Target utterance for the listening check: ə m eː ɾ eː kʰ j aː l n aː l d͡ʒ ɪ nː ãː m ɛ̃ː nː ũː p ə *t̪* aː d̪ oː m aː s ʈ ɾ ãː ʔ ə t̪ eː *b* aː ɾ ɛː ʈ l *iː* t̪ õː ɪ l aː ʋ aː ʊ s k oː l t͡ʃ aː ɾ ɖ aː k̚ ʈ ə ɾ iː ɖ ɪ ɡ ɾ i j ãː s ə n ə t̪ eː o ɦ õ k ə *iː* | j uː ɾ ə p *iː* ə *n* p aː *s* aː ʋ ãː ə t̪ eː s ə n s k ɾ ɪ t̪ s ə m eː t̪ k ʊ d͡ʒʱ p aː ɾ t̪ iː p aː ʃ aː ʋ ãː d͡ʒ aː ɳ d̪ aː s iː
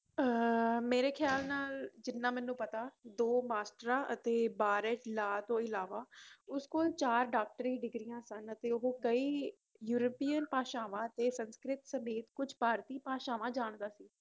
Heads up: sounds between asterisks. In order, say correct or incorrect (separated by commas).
correct, correct, incorrect, correct, correct, correct, incorrect